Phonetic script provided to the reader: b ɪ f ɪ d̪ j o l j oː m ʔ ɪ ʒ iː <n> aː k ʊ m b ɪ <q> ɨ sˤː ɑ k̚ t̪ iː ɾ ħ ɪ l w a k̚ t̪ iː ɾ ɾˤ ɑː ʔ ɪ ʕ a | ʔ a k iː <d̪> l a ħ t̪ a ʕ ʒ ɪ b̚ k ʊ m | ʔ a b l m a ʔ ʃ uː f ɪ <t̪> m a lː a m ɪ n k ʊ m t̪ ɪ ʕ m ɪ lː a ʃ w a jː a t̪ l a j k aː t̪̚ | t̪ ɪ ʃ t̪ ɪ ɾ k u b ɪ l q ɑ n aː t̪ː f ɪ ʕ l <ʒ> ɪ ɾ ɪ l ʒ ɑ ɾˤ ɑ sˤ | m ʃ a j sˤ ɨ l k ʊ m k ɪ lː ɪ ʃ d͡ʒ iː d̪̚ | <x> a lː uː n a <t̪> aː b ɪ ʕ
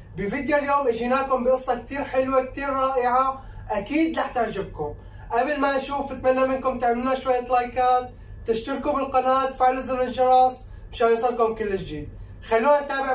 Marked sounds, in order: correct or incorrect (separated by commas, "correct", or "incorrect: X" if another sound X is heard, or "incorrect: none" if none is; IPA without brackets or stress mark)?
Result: correct, incorrect: ʔ, correct, correct, incorrect: z, correct, correct